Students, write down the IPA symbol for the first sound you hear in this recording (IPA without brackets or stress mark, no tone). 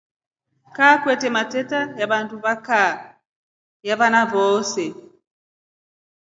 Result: k